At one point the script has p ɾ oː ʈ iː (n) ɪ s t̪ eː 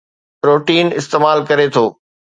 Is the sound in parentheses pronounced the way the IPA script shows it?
yes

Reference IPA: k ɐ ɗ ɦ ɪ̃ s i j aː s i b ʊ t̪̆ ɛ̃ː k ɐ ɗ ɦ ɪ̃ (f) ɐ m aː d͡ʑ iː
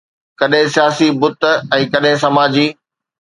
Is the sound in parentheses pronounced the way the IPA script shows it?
no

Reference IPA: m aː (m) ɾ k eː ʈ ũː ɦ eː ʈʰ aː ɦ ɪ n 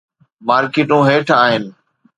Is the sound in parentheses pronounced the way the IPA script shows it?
no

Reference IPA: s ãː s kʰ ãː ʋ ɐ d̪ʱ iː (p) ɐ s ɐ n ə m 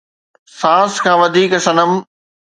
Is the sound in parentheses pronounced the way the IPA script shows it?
no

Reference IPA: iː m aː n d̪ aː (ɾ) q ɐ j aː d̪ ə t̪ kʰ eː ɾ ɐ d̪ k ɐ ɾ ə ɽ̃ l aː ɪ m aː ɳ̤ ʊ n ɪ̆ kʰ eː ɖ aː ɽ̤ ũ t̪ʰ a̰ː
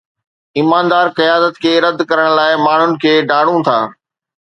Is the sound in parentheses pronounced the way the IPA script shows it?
yes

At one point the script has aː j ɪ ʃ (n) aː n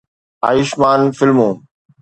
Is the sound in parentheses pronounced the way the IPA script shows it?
no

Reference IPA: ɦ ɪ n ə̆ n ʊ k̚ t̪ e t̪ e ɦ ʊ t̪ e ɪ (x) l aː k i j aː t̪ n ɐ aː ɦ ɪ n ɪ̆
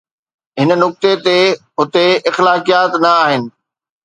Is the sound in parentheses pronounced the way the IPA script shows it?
yes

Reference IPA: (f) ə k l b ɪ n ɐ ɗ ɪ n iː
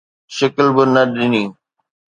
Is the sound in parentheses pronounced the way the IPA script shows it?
no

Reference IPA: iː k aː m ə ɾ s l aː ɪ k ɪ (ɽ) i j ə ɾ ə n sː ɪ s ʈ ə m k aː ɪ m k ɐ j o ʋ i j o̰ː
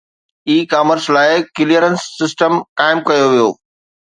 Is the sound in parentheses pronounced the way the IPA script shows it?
no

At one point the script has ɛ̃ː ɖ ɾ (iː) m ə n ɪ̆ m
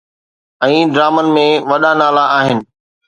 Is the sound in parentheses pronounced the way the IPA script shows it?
no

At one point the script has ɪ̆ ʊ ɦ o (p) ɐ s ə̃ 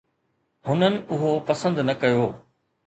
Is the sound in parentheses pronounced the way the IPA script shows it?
yes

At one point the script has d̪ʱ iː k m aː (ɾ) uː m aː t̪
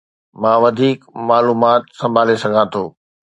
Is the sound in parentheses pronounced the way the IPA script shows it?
no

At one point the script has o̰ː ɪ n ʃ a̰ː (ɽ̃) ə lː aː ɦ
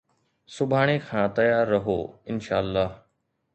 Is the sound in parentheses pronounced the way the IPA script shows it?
no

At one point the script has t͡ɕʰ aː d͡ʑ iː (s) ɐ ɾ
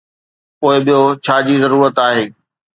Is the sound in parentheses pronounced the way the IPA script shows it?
no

